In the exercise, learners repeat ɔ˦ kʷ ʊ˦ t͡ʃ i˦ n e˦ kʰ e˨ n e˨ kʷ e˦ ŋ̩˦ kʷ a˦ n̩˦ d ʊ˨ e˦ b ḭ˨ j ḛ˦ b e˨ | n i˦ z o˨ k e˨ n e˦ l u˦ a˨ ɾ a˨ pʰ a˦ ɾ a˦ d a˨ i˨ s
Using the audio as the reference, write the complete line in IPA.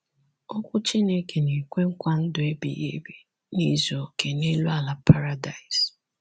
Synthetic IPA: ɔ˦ kʷ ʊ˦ t͡ʃ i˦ n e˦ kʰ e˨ n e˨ kʷ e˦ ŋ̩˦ kʷ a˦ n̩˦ d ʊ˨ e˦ b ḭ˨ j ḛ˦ b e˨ | n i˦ z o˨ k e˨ n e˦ l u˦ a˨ l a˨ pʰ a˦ ɾ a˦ d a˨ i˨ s